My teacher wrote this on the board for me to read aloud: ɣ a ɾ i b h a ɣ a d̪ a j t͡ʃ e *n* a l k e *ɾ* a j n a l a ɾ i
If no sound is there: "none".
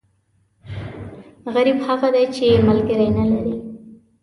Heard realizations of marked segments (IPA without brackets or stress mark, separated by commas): m, ɾ